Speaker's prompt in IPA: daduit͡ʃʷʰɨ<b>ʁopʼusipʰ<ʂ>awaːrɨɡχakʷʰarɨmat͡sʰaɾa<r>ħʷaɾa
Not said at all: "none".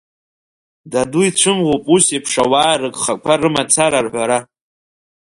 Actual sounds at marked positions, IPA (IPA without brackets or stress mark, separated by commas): m, ʂ, r